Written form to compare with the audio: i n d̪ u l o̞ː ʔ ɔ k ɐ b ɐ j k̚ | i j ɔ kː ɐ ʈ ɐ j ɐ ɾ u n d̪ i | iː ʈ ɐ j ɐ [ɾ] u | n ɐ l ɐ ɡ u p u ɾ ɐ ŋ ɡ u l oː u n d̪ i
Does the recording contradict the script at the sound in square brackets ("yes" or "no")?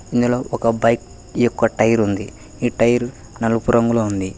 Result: no